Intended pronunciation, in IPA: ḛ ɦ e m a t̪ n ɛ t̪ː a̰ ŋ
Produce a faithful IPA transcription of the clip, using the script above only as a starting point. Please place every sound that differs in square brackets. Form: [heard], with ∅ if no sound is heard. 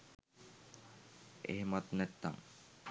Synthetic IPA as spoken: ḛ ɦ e m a t̪ n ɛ t̪ː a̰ ŋ